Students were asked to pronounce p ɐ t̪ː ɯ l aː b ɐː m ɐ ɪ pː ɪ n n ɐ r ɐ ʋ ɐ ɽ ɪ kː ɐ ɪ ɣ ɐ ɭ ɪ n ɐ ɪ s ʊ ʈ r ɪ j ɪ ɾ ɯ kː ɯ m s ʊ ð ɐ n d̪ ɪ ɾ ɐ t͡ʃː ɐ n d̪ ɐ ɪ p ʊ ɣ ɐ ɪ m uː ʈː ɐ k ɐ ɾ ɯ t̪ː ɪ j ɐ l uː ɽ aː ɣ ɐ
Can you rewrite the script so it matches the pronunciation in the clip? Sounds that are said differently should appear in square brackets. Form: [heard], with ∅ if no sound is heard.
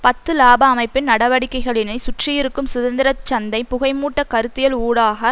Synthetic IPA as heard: p ɐ t̪ː ɯ l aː b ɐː m ɐ ɪ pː ɪ n n ɐ [ɽ] ɐ ʋ ɐ ɽ ɪ kː ɐ ɪ ɣ ɐ ɭ ɪ n ɐ ɪ s ʊ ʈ r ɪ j ɪ ɾ ɯ kː ɯ m s ʊ ð ɐ n d̪ ɪ ɾ ɐ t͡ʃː ɐ n d̪ ɐ ɪ p ʊ ɣ ɐ ɪ m uː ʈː ɐ k ɐ ɾ ɯ t̪ː ɪ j ɐ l uː ɽ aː ɣ ɐ